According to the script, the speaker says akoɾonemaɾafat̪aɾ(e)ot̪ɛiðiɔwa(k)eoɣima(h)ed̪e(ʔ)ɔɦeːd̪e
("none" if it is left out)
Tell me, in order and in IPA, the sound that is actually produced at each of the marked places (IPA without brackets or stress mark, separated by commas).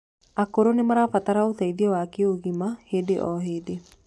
a, k, h, ʔ